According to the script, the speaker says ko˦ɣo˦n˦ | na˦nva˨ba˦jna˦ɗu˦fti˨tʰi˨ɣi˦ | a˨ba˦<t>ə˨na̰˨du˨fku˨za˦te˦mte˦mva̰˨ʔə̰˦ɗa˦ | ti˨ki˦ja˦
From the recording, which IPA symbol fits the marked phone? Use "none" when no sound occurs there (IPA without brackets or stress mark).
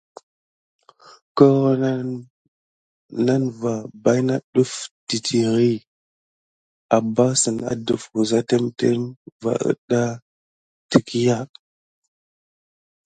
s